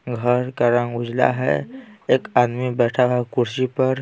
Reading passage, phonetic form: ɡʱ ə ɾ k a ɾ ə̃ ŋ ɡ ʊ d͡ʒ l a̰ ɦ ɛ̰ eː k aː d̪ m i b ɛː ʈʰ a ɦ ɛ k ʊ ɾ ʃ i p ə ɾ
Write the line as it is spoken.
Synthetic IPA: ɡʱ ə ɾ k a ɾ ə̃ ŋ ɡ ʊ d͡ʒ l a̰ ɦ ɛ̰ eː k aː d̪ m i b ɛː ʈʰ a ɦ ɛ k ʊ ɾ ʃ i p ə ɾ